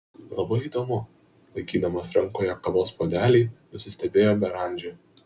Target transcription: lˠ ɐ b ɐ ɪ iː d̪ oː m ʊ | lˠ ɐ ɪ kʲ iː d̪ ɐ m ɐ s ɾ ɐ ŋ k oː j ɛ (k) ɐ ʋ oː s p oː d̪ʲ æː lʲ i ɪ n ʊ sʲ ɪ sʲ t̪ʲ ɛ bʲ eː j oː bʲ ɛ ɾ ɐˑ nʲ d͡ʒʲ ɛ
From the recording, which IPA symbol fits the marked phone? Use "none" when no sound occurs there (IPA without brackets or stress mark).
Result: k